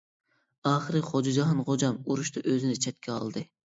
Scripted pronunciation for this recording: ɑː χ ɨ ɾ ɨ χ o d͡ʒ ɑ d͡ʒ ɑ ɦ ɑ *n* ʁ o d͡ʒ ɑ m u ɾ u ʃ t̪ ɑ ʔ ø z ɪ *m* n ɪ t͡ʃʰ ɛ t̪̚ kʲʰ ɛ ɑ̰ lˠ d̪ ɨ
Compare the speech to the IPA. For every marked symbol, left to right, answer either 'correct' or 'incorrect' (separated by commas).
correct, incorrect